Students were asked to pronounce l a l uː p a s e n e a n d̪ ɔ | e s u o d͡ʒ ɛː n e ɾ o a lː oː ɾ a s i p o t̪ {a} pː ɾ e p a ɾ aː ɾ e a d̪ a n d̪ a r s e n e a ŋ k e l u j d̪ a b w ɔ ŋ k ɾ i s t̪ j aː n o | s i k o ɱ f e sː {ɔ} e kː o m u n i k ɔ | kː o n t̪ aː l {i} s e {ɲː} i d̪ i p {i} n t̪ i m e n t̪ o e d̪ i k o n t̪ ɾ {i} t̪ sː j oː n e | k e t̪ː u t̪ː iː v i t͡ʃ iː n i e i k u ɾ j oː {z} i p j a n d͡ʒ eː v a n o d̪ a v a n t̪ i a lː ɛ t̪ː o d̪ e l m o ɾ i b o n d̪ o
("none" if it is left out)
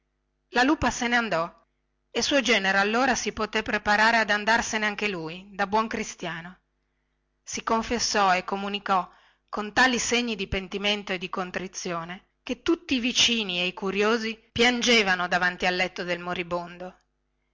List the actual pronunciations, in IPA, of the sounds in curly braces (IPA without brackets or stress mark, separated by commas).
e, ɔ, i, ɲː, e, i, z